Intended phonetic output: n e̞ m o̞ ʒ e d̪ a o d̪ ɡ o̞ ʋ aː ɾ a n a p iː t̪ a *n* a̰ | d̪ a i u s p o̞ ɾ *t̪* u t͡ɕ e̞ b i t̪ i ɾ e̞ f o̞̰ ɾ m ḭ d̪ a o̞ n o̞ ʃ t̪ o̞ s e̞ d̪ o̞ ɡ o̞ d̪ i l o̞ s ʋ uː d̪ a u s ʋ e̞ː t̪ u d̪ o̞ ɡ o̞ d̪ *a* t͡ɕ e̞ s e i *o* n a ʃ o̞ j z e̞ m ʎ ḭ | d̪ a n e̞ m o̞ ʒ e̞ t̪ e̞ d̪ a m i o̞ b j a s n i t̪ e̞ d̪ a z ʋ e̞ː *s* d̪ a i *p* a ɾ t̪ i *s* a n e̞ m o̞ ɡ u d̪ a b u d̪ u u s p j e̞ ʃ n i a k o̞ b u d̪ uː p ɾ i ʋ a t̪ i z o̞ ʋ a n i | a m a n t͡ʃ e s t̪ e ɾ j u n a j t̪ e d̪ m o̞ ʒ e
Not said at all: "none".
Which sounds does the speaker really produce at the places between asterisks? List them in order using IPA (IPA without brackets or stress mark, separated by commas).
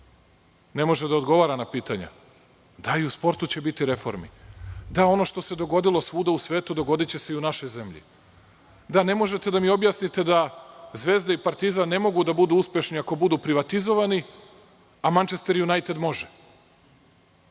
ɲ, t̪, i, u, z, p, z